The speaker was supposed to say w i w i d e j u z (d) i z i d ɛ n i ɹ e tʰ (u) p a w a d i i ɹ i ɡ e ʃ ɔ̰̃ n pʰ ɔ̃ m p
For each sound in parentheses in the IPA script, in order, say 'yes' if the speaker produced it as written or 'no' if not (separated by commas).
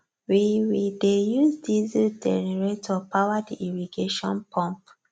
yes, no